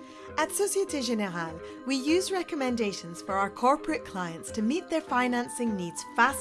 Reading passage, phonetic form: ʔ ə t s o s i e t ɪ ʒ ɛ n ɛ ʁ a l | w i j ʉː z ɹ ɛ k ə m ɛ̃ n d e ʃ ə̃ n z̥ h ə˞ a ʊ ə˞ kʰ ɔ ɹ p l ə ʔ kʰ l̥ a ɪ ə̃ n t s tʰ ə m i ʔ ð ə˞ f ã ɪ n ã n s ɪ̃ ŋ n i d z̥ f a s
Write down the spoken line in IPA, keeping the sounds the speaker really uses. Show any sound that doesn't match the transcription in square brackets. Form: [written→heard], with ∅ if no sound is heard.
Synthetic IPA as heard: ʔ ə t s o s i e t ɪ ʒ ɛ n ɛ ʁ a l | w i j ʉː z ɹ ɛ k ə m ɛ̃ n d e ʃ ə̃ n z̥ [h→f] ə˞ a ʊ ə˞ kʰ ɔ ɹ p [l→ɹ] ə ʔ kʰ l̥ a ɪ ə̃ n t s tʰ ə m i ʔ ð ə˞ f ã ɪ n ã n s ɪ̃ ŋ n i d z̥ f a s